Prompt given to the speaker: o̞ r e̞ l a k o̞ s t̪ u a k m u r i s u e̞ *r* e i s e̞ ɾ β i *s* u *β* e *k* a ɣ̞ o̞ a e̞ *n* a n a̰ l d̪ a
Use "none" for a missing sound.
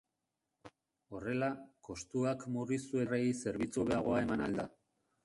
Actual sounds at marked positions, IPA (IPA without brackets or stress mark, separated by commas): r, t͡s, β, none, m